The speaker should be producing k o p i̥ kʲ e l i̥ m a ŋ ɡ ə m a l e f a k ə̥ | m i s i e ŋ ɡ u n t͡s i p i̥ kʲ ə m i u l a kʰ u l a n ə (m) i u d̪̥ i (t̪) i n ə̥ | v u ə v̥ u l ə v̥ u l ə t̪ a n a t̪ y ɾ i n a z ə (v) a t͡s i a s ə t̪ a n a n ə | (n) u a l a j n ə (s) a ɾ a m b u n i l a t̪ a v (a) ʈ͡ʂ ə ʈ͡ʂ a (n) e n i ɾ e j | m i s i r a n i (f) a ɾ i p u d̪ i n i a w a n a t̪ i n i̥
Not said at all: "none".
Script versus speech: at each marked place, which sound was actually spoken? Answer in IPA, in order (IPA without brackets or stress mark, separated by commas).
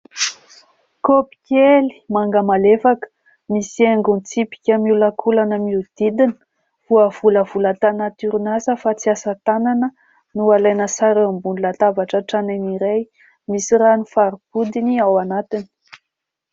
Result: m, d̪, f, n, s, a, n, f